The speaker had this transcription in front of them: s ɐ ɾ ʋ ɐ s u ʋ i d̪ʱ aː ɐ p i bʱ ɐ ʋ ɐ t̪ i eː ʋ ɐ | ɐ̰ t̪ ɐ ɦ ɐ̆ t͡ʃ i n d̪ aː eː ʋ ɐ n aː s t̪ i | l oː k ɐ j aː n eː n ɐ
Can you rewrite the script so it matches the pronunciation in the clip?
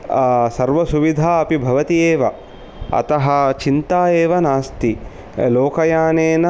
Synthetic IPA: s ɐ ɾ ʋ ɐ s u ʋ i d̪ʱ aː ɐ p i bʱ ɐ ʋ ɐ t̪ i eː ʋ ɐ | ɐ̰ t̪ ɐ ɦ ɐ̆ t͡ʃ i n t̪ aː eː ʋ ɐ n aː s t̪ i | l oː k ɐ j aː n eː n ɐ